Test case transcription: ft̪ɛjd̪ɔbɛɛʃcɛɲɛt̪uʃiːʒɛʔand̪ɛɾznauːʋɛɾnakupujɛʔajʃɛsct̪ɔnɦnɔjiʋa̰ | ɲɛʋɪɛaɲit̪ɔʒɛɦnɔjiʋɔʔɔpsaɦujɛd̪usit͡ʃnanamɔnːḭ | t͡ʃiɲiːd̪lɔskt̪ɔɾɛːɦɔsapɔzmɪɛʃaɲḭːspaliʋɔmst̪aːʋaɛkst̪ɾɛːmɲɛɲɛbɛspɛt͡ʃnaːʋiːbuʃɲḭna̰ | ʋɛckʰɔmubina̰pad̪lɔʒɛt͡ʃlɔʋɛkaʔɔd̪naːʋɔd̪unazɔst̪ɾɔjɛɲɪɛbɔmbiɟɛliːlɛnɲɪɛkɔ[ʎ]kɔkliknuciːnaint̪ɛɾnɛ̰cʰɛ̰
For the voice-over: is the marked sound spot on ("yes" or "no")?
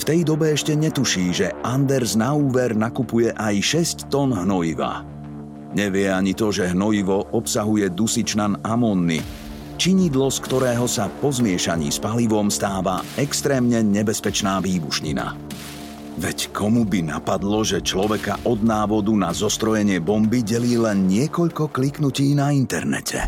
yes